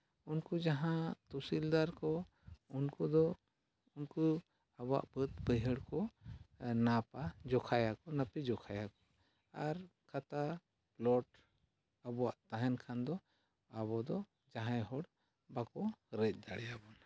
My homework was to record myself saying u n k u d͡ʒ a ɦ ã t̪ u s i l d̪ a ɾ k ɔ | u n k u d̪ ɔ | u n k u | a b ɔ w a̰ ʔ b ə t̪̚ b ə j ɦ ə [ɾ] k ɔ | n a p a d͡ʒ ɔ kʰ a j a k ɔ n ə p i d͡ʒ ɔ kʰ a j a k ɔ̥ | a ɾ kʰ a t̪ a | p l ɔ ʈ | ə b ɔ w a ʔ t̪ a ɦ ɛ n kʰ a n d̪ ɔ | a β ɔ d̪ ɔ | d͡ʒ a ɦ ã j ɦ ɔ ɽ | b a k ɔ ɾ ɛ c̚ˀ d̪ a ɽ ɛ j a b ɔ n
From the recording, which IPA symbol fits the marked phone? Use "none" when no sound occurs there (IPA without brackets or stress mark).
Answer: ɽ